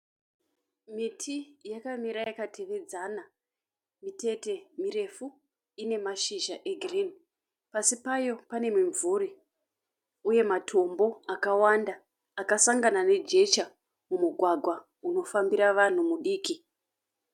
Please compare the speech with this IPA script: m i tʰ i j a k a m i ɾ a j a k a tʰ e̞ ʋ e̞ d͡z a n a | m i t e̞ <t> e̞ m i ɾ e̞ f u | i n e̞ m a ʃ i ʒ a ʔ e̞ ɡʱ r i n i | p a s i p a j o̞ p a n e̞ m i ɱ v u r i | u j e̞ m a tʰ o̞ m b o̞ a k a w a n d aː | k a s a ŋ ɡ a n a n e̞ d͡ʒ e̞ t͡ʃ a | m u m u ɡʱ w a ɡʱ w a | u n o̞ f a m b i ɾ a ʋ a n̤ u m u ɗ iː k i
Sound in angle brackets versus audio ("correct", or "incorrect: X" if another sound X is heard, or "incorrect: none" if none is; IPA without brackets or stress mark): correct